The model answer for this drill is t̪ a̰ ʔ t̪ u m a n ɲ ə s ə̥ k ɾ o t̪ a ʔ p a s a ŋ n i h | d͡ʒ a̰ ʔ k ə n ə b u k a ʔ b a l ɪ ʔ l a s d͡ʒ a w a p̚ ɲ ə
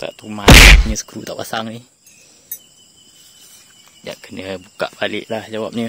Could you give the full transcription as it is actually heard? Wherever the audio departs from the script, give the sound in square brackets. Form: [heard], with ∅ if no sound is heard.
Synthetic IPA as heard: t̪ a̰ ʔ t̪ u m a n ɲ ə s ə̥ k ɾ [u] t̪ a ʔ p a s a ŋ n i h | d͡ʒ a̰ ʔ k ə n ə b u k a ʔ b a l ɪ ʔ l a [h] d͡ʒ a w a p̚ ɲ ə

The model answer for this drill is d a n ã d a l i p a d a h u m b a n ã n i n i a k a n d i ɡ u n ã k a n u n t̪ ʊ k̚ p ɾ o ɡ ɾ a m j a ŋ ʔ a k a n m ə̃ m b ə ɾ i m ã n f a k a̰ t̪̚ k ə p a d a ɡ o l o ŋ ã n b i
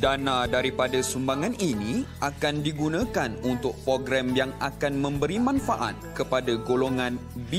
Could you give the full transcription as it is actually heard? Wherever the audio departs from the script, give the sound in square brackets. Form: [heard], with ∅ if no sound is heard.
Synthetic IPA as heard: d a n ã d a [ɾ] i p a d a [s] u m b a [ŋ] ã n i n i a k a n d i ɡ u n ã k a n u n t̪ ʊ k̚ p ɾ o ɡ ɾ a m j a ŋ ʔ a k a n m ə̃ m b ə ɾ i m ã n f a [ʔ] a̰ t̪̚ k ə p a d a ɡ o l o ŋ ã n b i

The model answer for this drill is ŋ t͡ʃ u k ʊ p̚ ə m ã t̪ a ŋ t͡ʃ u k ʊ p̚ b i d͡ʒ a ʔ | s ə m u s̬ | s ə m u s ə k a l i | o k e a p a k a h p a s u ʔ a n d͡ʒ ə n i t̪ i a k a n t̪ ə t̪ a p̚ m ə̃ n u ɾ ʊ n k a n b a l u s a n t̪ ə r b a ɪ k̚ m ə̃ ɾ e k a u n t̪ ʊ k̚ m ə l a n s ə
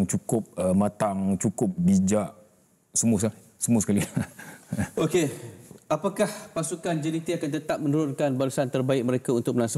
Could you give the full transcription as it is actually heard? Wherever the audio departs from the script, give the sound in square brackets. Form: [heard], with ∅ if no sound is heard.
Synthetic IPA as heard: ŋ t͡ʃ u k ʊ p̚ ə m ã t̪ a ŋ t͡ʃ u k ʊ p̚ b i d͡ʒ a ʔ | s ə m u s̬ | s ə m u s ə k a l i | o k e a p a k a h p a s u [k] a n d͡ʒ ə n i t̪ i a k a n t̪ ə t̪ a p̚ m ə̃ n u ɾ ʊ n k a n b a l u s a n t̪ ə r b a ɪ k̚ m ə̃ ɾ e k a u n t̪ ʊ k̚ m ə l a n s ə

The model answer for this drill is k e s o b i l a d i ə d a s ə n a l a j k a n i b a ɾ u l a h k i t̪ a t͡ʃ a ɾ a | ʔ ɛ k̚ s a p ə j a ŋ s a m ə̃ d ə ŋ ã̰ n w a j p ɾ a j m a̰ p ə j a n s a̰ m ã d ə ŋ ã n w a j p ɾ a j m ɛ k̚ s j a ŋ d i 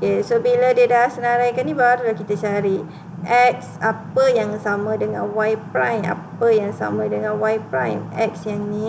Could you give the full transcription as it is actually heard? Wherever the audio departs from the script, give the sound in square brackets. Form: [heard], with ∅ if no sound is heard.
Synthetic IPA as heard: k e s o b i l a d i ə d a s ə n a [ɾ] a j k a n i b a ɾ u l a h k i t̪ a t͡ʃ a ɾ [i] | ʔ ɛ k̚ s a p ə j a ŋ s a m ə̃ d ə ŋ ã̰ n w a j p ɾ a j m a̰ p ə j a [ŋ] s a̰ m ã d ə ŋ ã n w a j p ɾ a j m ɛ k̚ s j a ŋ [n] i

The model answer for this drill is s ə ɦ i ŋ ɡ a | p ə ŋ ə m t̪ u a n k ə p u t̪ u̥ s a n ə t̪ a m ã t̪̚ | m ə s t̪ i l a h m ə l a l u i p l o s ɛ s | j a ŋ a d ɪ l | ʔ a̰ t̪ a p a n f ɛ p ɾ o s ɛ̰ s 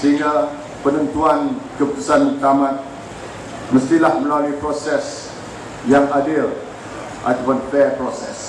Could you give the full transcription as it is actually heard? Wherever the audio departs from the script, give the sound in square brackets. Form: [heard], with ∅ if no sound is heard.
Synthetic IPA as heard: s ə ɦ i ŋ ɡ a | p ə [n] ə [n] t̪ u a n k ə p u t̪ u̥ s a n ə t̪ a m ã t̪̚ | m ə s t̪ i l a h m ə l a l u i p [ɾ] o s ɛ s | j a ŋ a d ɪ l | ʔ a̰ t̪ a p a n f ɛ p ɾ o s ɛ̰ s

